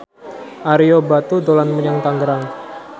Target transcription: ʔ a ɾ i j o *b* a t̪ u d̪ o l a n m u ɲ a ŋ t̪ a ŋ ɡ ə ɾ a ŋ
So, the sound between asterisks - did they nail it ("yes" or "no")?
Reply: yes